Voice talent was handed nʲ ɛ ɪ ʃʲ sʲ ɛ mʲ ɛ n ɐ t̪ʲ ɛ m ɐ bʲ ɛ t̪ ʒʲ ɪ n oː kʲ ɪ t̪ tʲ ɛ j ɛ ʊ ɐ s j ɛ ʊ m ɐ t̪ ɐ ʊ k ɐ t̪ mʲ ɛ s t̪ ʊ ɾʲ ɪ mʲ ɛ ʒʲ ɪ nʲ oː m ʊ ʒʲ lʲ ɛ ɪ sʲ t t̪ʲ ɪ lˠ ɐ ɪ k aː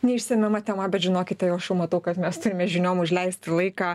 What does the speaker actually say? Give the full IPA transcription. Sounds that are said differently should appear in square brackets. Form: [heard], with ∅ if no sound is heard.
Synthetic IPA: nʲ ɛ ɪ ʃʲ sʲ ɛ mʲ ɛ [m] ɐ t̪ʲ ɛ m ɐ bʲ ɛ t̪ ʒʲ ɪ n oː kʲ ɪ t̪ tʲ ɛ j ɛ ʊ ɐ [ʃ] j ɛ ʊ m ɐ t̪ ɐ ʊ k ɐ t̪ mʲ ɛ s t̪ ʊ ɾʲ ɪ mʲ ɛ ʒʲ ɪ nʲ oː m ʊ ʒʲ lʲ ɛ ɪ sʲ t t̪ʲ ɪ lˠ ɐ ɪ k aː

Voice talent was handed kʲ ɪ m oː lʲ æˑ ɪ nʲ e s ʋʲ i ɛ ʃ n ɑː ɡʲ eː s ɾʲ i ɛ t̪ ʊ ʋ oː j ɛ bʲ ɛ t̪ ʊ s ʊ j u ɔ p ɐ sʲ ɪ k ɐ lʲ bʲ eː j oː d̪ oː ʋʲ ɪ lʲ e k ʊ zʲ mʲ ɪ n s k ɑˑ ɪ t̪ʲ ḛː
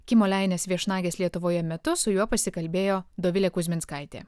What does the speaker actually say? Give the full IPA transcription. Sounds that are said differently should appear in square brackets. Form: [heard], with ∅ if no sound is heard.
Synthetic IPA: kʲ ɪ m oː lʲ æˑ ɪ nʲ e s ʋʲ i ɛ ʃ n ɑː ɡʲ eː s [lʲ] i ɛ t̪ ʊ ʋ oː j ɛ [mʲ] ɛ t̪ ʊ s ʊ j u ɔ p ɐ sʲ ɪ k ɐ lʲ bʲ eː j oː d̪ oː ʋʲ ɪ lʲ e k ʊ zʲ mʲ ɪ n s k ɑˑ ɪ t̪ʲ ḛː

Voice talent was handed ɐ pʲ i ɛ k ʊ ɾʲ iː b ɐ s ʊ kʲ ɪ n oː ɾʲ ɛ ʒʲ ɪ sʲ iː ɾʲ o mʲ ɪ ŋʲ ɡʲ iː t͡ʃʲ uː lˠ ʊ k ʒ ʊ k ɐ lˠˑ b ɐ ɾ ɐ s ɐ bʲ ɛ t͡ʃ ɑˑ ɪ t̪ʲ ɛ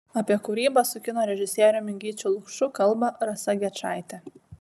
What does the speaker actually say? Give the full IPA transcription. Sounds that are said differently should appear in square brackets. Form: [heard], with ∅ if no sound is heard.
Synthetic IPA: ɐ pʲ i ɛ k ʊ ɾʲ iː b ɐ s ʊ kʲ ɪ n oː ɾʲ ɛ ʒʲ ɪ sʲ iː ɾʲ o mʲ ɪ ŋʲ ɡʲ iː t͡ʃʲ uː lˠ ʊ k [ʃ] ʊ k ɐ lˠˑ b ɐ ɾ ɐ s ɐ [ɡʲ] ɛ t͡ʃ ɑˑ ɪ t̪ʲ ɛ

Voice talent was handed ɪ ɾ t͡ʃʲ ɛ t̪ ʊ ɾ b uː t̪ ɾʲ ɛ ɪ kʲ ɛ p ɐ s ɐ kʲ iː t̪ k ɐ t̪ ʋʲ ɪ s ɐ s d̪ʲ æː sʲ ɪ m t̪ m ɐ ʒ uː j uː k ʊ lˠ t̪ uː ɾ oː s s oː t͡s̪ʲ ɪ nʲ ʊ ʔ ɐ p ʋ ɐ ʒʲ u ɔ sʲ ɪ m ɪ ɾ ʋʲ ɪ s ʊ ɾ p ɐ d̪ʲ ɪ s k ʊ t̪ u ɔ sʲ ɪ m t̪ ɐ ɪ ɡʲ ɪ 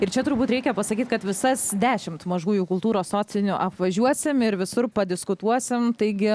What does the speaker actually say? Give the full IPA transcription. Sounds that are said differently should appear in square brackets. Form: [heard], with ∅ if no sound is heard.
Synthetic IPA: ɪ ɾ t͡ʃʲ ɛ t̪ ʊ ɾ b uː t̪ ɾʲ ɛ ɪ kʲ ɛ p ɐ s ɐ kʲ iː t̪ k ɐ t̪ ʋʲ ɪ s ɐ s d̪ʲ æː [ʃʲ] ɪ m t̪ m ɐ ʒ uː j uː k ʊ lˠ t̪ uː ɾ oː s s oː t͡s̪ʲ ɪ nʲ ʊ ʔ ɐ p ʋ ɐ ʒʲ u ɔ sʲ ɪ m ɪ ɾ ʋʲ ɪ s ʊ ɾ p ɐ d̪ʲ ɪ s k ʊ t̪ u ɔ sʲ ɪ m t̪ ɐ ɪ ɡʲ ɪ

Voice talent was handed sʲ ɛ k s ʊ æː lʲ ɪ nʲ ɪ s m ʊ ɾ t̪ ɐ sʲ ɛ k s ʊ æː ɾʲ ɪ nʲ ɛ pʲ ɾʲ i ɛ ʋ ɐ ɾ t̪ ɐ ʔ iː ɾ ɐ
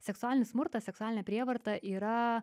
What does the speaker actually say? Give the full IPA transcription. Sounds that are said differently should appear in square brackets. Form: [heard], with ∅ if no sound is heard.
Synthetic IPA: sʲ ɛ k s ʊ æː lʲ ɪ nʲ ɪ s m ʊ ɾ t̪ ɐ sʲ ɛ k s ʊ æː [lʲ] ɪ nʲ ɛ pʲ ɾʲ i ɛ ʋ ɐ ɾ t̪ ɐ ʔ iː ɾ ɐ

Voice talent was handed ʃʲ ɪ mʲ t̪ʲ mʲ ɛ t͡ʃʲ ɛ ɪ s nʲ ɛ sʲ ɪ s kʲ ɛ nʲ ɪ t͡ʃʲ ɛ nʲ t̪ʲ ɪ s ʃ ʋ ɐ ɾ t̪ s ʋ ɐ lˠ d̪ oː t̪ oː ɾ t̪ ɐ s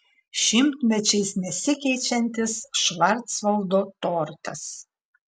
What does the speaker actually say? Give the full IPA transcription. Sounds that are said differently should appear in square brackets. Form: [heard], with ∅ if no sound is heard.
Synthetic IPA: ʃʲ ɪ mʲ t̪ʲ mʲ ɛ t͡ʃʲ ɛ ɪ s nʲ ɛ sʲ ɪ [∅] kʲ ɛ [∅] ɪ t͡ʃʲ ɛ nʲ t̪ʲ ɪ s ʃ ʋ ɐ ɾ t̪ s ʋ ɐ lˠ d̪ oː t̪ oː ɾ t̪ ɐ s

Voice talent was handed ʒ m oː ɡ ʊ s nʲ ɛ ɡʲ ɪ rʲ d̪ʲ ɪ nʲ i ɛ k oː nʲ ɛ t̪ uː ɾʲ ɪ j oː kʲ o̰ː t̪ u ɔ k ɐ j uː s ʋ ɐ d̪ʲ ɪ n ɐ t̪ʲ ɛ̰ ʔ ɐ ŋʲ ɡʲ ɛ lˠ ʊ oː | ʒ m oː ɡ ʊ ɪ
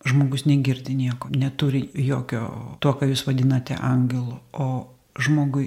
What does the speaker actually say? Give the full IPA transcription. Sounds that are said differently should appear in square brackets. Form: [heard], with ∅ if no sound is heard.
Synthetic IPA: ʒ m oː ɡ ʊ s nʲ ɛ ɡʲ ɪ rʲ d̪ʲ ɪ nʲ i ɛ k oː nʲ ɛ t̪ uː ɾʲ ɪ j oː kʲ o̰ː t̪ u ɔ k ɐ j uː s ʋ ɐ d̪ʲ ɪ n ɐ t̪ʲ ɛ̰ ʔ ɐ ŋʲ ɡʲ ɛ lˠ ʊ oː | ʒ m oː ɡ ʊ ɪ

